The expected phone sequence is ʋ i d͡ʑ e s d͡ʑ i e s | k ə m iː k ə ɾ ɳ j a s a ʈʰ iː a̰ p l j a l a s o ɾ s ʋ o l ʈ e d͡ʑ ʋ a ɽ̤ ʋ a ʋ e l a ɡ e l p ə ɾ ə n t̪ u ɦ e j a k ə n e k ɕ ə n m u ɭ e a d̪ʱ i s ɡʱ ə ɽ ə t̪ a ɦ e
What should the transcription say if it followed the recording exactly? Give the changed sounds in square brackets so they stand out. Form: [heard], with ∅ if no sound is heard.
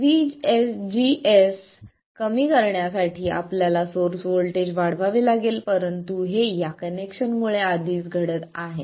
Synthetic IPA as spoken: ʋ i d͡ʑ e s d͡ʑ i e s | k ə m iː k ə ɾ ɳ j a s a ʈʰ iː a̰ p l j a l a s o ɾ s ʋ o l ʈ e d͡ʑ ʋ a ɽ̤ ʋ a ʋ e l a ɡ e l p ə ɾ ə n t̪ u ɦ e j a k ə n e k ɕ ə n m u ɭ e a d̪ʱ [iː] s ɡʱ ə ɽ ə t̪ a ɦ e